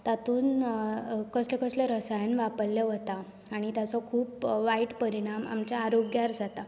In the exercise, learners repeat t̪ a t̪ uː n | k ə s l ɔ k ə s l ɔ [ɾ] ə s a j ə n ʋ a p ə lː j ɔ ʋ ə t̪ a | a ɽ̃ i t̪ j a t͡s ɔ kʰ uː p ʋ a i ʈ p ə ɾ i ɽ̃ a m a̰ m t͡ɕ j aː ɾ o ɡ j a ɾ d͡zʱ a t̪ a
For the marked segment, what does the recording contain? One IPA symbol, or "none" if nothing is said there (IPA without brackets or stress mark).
ɾ